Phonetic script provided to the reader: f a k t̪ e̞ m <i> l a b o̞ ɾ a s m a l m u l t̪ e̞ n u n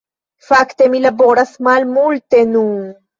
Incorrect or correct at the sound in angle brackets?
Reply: correct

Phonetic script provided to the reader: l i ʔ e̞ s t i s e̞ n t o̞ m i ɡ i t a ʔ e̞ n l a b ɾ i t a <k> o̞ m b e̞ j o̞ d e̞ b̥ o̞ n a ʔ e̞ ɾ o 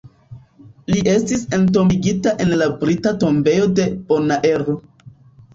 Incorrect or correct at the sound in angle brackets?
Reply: incorrect: t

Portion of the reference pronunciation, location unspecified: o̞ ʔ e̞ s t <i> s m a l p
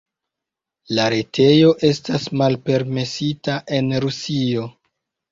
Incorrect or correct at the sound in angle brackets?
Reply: incorrect: a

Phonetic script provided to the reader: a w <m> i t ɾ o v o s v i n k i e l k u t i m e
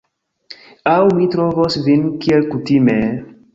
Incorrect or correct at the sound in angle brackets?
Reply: correct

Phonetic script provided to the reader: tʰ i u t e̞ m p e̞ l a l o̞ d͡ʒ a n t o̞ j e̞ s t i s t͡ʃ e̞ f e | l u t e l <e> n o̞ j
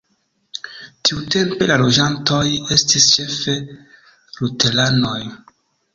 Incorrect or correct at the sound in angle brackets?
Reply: incorrect: a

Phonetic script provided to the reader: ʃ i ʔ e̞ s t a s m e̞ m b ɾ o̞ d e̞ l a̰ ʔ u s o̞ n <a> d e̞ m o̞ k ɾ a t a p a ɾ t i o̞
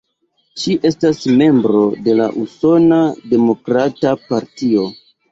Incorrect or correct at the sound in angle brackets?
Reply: correct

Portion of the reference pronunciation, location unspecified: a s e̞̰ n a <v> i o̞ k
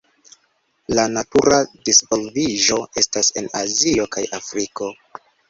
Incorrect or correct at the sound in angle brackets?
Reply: incorrect: z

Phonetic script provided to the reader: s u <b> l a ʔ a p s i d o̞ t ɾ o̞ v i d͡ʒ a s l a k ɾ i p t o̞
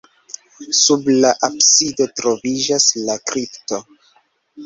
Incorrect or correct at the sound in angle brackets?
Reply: correct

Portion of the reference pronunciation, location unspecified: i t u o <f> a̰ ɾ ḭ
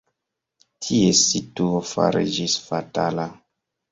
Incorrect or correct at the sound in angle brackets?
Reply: correct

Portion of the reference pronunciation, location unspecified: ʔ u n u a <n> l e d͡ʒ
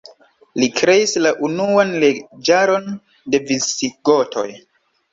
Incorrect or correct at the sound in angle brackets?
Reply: correct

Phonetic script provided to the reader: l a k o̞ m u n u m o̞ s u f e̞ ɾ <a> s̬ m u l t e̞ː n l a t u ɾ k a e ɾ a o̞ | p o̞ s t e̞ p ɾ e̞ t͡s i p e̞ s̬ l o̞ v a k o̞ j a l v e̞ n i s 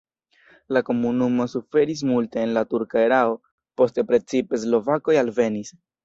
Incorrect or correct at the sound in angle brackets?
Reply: incorrect: i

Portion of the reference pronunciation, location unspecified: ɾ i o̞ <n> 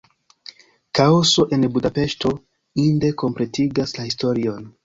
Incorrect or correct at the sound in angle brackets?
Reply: correct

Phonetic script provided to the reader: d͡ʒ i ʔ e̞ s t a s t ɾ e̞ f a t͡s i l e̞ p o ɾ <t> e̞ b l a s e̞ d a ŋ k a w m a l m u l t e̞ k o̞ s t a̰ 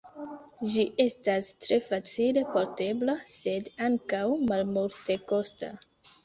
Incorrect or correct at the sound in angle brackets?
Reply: correct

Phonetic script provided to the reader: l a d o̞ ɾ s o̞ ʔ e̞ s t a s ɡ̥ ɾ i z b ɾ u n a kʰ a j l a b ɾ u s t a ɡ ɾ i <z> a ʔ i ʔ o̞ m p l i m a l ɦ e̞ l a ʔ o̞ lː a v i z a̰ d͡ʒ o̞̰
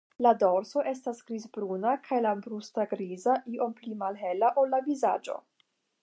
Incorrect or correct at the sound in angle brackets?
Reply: correct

